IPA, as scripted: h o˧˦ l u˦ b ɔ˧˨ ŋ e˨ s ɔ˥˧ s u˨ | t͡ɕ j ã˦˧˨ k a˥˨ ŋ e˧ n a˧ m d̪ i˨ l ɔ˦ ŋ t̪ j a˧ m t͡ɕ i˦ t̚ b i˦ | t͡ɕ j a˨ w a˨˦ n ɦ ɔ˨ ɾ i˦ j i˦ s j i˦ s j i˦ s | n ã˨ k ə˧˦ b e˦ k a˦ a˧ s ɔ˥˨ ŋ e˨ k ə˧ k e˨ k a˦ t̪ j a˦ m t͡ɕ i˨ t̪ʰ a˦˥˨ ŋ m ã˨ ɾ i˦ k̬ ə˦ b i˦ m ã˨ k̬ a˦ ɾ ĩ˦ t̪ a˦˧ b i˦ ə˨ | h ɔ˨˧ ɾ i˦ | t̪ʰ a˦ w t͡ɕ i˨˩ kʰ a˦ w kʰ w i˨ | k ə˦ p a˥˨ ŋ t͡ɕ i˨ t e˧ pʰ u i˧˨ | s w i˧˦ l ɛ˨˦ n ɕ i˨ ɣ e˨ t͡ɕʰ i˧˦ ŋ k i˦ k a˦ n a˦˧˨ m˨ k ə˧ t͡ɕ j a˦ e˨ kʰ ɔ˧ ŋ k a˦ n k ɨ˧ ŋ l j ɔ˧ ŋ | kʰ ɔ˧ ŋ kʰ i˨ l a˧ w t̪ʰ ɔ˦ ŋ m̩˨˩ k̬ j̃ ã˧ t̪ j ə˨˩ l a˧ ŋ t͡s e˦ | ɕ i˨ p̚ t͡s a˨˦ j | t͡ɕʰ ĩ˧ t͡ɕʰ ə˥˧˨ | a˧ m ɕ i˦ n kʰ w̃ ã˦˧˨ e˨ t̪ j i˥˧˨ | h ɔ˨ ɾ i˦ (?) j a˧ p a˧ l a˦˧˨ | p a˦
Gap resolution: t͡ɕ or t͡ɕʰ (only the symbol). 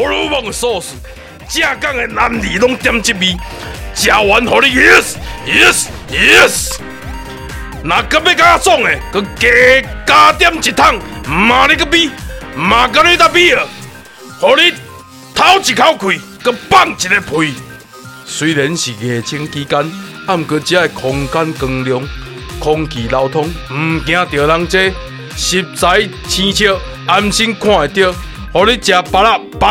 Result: t͡ɕ